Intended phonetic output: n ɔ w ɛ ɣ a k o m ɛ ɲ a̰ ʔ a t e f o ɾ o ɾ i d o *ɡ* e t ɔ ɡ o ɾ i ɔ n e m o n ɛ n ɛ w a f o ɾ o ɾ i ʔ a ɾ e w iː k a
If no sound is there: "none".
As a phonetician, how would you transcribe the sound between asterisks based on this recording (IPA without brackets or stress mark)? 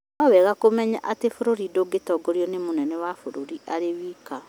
ɡ